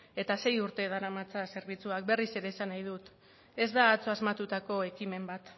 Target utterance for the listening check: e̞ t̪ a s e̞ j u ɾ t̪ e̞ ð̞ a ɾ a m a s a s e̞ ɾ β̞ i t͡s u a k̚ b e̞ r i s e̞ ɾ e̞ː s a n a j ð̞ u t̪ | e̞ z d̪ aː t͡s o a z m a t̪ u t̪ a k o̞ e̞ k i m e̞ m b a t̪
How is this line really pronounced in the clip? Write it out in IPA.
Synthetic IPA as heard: e̞ t̪ a s e̞ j u ɾ t̪ e̞ ð̞ a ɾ a m a t͡s a s e̞ ɾ β̞ i t͡s u a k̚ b e̞ r i s e̞ ɾ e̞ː s a n a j ð̞ u t̪ | e̞ z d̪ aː t͡s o a z m a t̪ u t̪ a k o̞ e̞ k i m e̞ m b a t̪